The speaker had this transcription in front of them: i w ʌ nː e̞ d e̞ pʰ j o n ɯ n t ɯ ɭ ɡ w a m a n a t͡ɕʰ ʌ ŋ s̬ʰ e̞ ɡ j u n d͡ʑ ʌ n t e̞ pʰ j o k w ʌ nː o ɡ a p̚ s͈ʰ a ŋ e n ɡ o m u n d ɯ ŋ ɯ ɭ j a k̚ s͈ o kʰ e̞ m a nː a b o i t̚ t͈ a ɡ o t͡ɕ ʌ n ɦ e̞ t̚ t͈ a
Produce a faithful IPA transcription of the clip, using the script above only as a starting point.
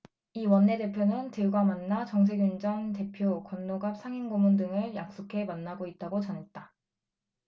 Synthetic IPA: i w ʌ nː e̞ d e̞ pʰ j o n ɯ n t ɯ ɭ ɡ w a m a nː a t͡ɕ ʌ ŋ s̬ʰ e̞ ɡ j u n d͡ʑ ʌ n t e̞ pʰ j o k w ʌ nː o ɡ a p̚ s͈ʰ a ŋ i n ɡ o m u n d ɯ ŋ ɯ ɭ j a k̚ s͈ o kʰ e̞ m a nː a ɡ o i t̚ t͈ a ɡ o t͡ɕ ʌ n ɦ e̞ t̚ t͈ a

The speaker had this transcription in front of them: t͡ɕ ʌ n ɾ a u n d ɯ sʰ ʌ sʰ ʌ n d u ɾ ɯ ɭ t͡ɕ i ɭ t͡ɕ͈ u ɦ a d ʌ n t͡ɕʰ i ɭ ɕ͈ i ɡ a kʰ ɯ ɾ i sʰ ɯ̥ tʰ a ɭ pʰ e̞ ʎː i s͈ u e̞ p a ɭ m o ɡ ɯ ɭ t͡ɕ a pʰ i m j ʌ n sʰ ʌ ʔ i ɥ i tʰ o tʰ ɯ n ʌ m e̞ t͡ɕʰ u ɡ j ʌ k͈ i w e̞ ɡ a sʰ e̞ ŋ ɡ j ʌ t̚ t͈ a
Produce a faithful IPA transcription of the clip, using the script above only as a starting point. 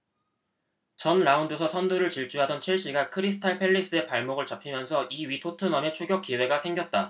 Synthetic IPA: t͡ɕ ʌ n ɾ a u n d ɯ sʰ ʌ sʰ ʌ n d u ɾ ɯ ɭ t͡ɕ i ɭ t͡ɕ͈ u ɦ a d ʌ n t͡ɕʰ i ɭ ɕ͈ i ɡ a kʰ ɯ ɾ i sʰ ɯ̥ tʰ a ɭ pʰ e̞ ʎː i s͈ ɯ e̞ p a ɭ m o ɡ ɯ ɭ t͡ɕ a pʰ i m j ʌ n sʰ ʌ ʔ i ɥ i tʰ o tʰ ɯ n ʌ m e̞ t͡ɕʰ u ɡ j ʌ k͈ i w e̞ ɡ a sʰ e̞ ŋ ɡ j ʌ t̚ t͈ a

